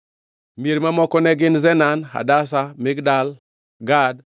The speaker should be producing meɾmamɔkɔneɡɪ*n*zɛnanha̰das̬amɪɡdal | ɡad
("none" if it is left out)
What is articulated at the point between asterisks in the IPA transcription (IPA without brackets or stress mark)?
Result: n